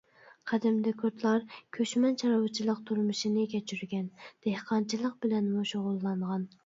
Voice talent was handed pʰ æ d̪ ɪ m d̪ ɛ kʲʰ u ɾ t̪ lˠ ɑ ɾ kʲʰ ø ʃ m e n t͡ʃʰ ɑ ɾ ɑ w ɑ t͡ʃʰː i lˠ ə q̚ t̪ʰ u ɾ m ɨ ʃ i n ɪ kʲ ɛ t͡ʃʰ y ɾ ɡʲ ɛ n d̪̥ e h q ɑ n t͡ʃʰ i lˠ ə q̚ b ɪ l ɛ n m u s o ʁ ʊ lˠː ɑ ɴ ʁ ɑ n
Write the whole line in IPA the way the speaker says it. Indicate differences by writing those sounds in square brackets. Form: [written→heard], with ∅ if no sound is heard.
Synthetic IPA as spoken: [pʰ→qʰ] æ d̪ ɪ m d̪ ɛ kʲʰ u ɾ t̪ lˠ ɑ ɾ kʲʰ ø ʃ m [e→ɛ] n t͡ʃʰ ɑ ɾ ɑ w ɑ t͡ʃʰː i lˠ ə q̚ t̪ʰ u ɾ m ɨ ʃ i n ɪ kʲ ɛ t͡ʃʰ y ɾ ɡʲ ɛ n d̪̥ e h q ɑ n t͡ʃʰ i lˠ ə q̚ b ɪ l ɛ n m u [s→ʃ] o ʁ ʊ lˠː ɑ ɴ ʁ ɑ n